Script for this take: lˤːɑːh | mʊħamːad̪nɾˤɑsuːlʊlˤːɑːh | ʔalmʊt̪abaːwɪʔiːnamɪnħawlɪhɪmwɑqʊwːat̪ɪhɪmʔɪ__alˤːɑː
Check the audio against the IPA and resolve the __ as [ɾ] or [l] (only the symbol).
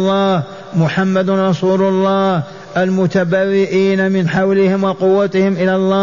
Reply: l